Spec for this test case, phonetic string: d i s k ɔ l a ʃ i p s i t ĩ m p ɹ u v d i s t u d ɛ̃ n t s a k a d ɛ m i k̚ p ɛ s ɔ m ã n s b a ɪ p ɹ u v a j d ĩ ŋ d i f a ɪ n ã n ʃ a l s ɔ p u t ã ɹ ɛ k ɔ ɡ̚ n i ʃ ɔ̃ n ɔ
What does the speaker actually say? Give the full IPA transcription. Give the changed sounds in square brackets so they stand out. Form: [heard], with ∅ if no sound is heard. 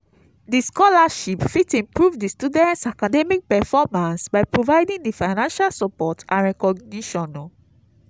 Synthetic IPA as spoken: d i s k ɔ l a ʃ i p [f] i t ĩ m p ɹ u v d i s t u d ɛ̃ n t s a k a d ɛ m i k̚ p ɛ [f] ɔ m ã n s b a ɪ p ɹ [o] v a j d ĩ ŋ d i f a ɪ n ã n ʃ a l s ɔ p [ɔ] t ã ɹ ɛ k ɔ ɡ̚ n i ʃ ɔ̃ n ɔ